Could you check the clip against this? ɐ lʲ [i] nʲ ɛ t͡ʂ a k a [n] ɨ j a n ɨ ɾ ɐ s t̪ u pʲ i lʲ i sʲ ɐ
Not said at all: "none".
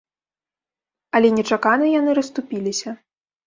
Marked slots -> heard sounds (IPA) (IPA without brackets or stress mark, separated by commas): ɛ, n